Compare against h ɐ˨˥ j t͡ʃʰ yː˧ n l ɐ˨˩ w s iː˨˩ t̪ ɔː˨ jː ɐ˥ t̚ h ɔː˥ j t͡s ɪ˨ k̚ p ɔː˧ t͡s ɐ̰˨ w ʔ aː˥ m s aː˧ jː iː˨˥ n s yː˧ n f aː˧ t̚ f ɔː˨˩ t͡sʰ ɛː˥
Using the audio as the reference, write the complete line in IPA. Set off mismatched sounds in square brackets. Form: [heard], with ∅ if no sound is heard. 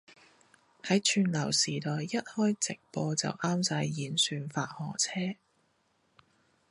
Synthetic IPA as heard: h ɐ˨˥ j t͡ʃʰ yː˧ n l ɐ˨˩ w s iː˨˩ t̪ ɔː˨ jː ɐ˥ t̚ h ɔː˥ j t͡s ɪ˨ k̚ p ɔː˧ t͡s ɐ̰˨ w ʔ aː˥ m s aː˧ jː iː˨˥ n s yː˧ n f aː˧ t̚ [h] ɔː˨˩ t͡sʰ ɛː˥